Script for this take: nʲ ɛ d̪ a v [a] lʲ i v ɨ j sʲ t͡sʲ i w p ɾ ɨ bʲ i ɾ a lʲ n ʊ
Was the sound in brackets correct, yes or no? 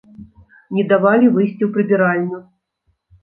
yes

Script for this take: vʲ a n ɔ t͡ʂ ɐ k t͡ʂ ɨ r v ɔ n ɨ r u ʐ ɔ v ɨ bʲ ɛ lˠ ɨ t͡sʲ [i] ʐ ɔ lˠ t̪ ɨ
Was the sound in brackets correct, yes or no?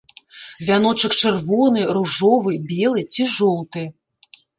yes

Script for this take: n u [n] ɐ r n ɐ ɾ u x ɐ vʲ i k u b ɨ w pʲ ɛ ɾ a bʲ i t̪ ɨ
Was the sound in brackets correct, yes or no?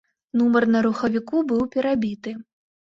no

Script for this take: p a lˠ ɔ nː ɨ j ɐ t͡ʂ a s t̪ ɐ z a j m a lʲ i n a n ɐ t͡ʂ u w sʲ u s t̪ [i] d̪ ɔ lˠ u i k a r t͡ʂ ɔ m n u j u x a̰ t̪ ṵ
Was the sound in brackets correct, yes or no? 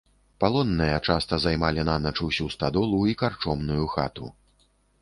no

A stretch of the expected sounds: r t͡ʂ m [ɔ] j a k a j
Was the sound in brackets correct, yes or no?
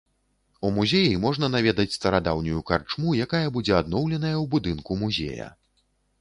no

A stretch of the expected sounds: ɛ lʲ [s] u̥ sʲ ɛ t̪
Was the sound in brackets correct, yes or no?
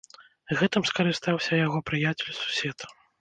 yes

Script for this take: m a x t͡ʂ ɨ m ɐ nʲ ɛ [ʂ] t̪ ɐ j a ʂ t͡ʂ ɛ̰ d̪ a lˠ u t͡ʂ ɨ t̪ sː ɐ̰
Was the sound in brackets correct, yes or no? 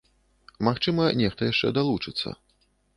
no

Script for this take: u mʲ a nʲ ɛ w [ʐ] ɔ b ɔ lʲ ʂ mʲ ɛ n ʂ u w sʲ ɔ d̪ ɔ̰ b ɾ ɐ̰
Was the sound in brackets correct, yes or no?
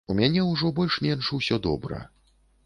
yes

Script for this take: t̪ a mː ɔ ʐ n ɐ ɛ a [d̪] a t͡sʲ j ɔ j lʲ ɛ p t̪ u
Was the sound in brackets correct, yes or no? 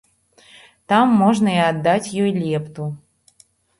no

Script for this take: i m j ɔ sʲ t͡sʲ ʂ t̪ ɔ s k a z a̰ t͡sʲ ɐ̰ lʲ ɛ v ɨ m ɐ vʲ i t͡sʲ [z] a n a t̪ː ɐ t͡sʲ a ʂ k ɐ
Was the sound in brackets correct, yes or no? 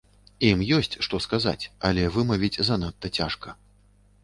yes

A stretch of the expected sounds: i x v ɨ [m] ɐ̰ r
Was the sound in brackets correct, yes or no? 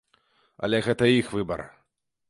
no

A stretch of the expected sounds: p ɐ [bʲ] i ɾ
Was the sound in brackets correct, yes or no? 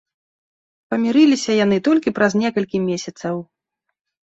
no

